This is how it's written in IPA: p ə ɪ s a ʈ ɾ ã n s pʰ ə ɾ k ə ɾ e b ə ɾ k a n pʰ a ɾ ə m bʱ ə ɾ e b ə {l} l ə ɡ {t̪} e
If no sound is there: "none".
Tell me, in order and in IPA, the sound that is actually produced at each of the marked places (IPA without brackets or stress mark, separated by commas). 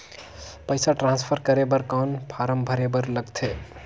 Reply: ɾ, t̪ʰ